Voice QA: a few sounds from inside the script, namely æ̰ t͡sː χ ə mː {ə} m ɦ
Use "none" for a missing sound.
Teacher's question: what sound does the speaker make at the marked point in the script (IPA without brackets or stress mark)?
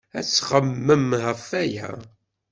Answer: ə